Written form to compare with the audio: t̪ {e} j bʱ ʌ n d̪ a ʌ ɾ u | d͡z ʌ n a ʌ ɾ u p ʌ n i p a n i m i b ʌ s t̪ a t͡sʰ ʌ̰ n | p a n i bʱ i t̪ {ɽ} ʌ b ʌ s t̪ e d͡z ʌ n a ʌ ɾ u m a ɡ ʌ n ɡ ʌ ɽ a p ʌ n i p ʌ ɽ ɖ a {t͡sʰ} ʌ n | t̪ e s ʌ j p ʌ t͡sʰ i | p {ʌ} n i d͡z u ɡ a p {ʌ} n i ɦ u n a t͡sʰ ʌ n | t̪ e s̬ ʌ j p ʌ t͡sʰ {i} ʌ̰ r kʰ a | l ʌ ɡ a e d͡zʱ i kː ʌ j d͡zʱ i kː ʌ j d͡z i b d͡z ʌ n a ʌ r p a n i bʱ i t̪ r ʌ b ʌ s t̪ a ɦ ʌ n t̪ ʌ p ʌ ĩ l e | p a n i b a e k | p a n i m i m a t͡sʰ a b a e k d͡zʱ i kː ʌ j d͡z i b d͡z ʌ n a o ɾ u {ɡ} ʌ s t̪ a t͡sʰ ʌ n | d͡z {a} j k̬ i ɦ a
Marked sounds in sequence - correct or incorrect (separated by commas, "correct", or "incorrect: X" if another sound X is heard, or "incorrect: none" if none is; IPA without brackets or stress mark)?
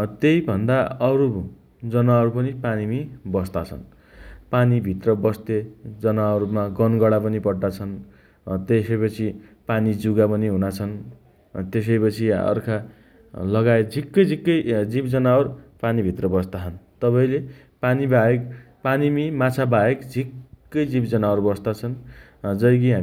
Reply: correct, incorrect: r, correct, incorrect: a, correct, correct, incorrect: b, incorrect: ʌ